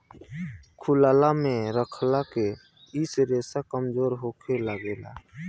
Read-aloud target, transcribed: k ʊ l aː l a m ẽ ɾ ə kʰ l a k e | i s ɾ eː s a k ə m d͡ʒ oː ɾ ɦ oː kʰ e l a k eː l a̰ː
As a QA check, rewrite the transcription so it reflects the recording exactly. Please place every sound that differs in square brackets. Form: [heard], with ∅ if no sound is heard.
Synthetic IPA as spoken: [kʰ] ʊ l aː l a m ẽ ɾ ə kʰ l a k e | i s ɾ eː s a k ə m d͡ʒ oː ɾ ɦ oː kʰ e l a [ɡ] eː l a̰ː